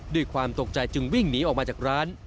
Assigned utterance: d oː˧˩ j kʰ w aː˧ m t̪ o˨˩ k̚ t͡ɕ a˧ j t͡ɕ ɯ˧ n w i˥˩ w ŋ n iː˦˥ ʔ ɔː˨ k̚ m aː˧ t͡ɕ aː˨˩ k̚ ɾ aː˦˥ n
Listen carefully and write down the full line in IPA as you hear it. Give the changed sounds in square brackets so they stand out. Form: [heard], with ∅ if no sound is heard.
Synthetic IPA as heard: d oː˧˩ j kʰ w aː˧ m t̪ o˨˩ k̚ t͡ɕ a˧ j t͡ɕ ɯ˧ [ŋ] w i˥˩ [∅] ŋ n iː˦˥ ʔ ɔː˨ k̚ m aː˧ t͡ɕ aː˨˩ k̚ ɾ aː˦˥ n